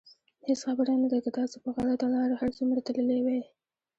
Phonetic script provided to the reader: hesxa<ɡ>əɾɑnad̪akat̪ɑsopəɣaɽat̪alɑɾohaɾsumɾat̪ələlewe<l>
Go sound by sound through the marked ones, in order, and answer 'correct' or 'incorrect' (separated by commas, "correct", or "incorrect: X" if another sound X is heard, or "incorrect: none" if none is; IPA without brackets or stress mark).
incorrect: b, incorrect: none